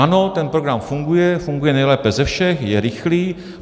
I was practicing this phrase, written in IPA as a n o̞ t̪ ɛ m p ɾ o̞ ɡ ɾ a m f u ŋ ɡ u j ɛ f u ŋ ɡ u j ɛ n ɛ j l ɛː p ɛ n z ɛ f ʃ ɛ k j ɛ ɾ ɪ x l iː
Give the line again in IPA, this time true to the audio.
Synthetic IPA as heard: a n o̞ t̪ ɛ n p ɾ o̞ ɡ ɾ a m f u ŋ ɡ u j ɛ f u ŋ ɡ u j ɛ n ɛ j l ɛː p ɛ z ɛ f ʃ ɛ x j ɛ ɾ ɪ x l iː